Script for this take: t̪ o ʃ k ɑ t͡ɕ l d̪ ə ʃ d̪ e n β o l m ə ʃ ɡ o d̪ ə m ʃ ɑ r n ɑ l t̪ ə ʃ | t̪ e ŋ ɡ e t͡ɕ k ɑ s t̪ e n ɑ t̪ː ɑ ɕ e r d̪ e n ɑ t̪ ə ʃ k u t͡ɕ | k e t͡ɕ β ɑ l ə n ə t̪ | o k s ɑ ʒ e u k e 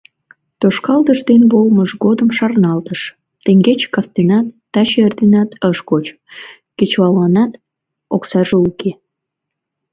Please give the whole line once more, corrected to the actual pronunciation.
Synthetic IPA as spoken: t̪ o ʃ k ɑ l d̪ ə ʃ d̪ e n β o l m ə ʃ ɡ o d̪ ə m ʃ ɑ r n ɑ l t̪ ə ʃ | t̪ e ŋ ɡ e t͡ɕ k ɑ s t̪ e n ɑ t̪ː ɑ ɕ e r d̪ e n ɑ t̪ ə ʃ k o t͡ɕ | k e t͡ɕ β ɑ l ɑ n ɑ t̪ | o k s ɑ ʒ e u k e